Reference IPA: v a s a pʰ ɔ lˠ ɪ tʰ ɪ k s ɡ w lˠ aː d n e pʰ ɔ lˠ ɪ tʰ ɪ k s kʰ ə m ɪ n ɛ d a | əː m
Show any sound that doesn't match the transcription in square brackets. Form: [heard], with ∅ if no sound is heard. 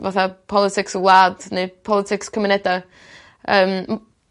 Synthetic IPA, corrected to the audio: v a [θ] a pʰ ɔ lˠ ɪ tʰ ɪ k s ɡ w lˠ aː d n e pʰ ɔ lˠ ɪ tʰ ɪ k s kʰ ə m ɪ n ɛ d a | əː m